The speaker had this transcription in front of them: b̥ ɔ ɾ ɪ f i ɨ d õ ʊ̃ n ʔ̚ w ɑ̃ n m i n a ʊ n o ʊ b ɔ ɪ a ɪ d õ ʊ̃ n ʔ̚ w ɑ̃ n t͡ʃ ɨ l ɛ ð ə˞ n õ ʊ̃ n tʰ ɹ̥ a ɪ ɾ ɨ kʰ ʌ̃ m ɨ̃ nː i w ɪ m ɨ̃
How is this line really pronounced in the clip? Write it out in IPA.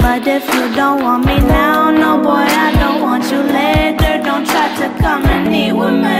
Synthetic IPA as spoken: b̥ ʌ ɾ ɪ f j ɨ d õ ʊ̃ n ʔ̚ w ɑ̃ n m i n a ʊ n o ʊ b ɔ ɪ a ɪ d õ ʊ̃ n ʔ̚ w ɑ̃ n t͡ʃ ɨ l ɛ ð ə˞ d õ ʊ̃ n tʰ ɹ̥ a ɪ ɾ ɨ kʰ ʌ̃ m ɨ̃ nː i w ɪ m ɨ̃